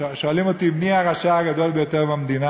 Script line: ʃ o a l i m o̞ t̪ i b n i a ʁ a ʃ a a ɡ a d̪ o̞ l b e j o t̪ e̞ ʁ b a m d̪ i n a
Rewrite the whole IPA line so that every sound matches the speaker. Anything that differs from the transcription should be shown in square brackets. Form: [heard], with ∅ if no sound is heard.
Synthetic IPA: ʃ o a l i m o̞ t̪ i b n i a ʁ a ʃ a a ɡ a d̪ o̞ l b e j o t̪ e̞ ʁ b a m d̪ i n a